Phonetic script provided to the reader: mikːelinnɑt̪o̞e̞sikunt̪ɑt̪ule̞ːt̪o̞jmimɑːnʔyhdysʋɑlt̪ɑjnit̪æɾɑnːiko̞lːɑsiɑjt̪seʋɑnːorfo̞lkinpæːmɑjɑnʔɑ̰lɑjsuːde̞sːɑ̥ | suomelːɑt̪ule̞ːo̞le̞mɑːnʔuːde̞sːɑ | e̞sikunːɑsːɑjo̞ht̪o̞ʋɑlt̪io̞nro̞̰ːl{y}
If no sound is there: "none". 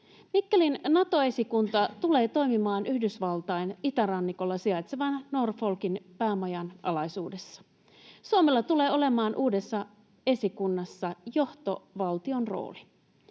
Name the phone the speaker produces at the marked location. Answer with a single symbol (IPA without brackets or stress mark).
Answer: i